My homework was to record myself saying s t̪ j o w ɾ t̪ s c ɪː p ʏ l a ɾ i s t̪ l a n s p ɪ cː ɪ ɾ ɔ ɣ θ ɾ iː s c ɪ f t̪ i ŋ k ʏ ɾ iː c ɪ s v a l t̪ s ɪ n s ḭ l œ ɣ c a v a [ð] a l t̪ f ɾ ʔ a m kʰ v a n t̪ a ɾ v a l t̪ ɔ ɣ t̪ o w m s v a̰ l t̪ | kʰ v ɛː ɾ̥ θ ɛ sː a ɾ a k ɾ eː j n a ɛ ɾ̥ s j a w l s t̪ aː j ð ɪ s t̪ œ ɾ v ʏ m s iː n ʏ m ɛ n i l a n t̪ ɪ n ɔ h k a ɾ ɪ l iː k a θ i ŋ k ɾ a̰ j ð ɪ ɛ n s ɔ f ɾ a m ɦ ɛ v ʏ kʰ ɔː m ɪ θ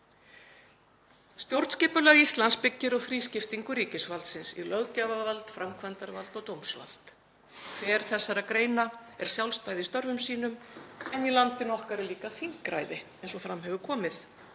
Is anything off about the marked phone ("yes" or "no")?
yes